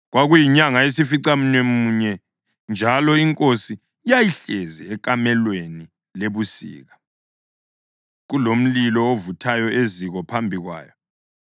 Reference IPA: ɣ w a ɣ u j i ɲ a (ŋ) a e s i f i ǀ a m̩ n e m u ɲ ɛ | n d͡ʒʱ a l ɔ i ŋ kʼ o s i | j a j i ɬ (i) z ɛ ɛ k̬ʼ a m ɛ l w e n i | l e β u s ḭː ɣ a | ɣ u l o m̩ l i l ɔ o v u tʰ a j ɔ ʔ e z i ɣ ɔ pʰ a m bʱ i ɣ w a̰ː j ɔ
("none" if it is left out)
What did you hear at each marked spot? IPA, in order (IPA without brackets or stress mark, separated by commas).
ŋ, ɛ